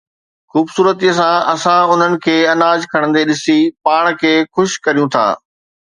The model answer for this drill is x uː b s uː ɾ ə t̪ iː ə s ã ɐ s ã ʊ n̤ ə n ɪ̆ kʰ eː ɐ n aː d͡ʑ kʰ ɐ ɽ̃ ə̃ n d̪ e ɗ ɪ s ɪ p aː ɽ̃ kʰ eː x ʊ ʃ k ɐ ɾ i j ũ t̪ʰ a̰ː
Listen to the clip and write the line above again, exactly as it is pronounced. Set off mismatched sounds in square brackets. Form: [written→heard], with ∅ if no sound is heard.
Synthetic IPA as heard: x uː b s uː ɾ ə t̪ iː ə s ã ɐ s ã ʊ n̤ ə n ɪ̆ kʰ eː ɐ n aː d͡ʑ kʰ ɐ ɽ̃ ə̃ n d̪ e ɗ ɪ s [ɪ→i] p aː ɽ̃ kʰ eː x ʊ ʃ k ɐ ɾ i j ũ t̪ʰ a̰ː